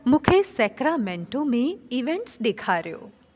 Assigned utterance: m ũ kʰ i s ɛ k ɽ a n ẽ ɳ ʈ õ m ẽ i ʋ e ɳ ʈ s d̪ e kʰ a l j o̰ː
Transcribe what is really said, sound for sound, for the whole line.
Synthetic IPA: m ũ kʰ e s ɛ k ɾ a m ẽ ɳ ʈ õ m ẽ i ʋ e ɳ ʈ s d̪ e kʰ a ɾ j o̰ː